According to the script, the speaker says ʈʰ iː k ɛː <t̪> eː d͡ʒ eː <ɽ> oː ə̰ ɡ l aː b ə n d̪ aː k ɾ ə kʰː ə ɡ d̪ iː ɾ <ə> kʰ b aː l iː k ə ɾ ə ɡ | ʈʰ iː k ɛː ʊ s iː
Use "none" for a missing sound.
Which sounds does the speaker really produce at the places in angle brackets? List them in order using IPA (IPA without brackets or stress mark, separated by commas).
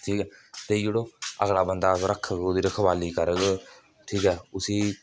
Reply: t̪, ɽ, ə